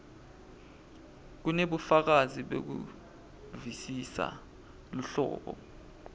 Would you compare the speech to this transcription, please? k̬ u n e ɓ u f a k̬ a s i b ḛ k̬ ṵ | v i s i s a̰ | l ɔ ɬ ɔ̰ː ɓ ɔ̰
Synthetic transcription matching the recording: k̬ u n e ɓ u f a k̬ a z i ɓ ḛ k̬ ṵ | v i s i s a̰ | l u ɬ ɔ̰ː ɓ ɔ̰